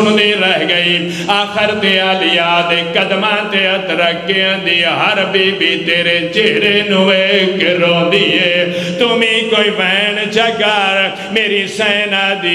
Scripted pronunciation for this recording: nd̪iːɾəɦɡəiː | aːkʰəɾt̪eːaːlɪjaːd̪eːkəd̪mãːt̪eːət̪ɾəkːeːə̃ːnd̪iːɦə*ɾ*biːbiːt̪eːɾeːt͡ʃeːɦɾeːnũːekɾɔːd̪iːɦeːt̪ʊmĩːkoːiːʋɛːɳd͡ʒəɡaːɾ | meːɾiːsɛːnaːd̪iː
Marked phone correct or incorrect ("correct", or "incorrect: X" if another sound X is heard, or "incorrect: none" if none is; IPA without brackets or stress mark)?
correct